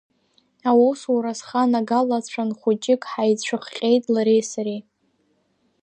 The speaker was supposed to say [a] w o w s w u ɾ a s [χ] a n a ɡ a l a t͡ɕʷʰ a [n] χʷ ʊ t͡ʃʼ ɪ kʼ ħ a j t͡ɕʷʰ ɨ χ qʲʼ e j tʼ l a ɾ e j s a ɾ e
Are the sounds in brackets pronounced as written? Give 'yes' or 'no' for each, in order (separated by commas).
yes, yes, yes